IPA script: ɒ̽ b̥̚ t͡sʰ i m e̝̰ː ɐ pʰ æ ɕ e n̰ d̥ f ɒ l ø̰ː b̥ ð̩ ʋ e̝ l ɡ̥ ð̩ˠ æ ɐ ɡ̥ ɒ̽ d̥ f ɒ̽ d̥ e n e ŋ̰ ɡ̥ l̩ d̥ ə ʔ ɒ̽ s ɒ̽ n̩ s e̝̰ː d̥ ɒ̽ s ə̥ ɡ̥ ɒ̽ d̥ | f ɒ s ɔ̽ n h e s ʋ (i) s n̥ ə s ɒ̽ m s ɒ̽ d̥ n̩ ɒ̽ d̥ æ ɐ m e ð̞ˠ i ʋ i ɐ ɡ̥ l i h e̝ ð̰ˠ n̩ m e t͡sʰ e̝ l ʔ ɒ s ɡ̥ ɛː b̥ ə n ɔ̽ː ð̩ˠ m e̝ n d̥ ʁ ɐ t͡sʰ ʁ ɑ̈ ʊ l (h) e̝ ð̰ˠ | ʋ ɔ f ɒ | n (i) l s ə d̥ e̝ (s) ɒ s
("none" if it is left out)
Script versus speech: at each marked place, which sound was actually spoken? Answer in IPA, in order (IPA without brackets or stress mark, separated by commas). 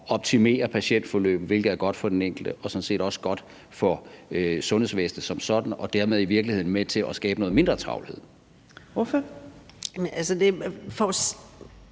e, h, æ, f